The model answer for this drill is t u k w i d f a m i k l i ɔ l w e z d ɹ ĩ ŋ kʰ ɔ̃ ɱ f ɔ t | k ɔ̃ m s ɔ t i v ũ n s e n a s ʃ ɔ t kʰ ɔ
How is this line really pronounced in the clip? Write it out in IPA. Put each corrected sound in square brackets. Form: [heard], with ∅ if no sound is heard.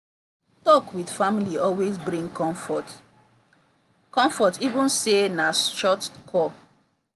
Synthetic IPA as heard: t [ɔ] k w i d f a m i [∅] l i ɔ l w e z [b] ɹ ĩ ŋ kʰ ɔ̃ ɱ f ɔ t | k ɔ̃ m [f] ɔ t i v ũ n s e n a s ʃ ɔ t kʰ ɔ